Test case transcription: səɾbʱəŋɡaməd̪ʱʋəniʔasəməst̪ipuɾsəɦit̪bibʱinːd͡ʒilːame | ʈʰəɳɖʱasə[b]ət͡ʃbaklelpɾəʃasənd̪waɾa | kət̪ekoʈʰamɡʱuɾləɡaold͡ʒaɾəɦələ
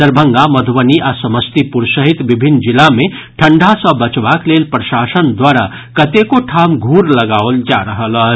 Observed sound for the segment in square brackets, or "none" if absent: b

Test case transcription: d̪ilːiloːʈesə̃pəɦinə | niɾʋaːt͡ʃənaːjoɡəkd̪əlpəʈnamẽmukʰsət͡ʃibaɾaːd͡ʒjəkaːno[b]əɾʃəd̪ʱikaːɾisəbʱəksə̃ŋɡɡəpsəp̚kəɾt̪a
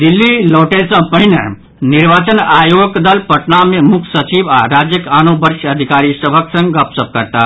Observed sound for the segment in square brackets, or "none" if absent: b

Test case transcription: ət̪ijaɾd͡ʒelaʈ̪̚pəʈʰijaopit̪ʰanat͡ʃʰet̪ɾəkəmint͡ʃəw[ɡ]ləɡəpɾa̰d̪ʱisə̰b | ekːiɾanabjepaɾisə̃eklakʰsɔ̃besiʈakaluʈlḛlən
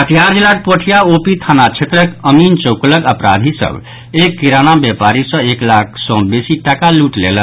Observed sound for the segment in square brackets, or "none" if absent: k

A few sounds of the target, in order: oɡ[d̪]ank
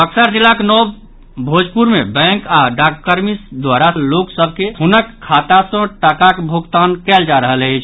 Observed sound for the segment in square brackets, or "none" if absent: t̪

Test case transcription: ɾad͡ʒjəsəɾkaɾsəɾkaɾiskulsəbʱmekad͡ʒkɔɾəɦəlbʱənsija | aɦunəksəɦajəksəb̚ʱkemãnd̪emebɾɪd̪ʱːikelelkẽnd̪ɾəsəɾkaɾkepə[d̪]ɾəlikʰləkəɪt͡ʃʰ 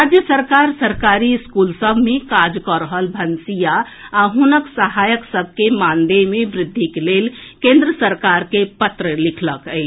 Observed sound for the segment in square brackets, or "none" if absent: t̪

